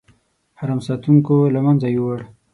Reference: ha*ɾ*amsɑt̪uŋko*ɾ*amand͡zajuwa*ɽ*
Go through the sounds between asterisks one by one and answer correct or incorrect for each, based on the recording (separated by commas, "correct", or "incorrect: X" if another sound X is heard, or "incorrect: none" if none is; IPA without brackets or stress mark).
correct, incorrect: l, correct